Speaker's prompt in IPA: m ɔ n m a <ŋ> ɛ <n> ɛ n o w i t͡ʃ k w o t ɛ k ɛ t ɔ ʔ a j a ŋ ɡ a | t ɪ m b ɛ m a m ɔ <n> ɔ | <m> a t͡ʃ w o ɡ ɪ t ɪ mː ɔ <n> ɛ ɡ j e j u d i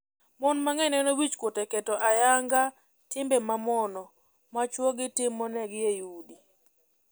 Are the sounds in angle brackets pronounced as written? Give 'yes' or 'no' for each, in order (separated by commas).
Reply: yes, yes, yes, yes, yes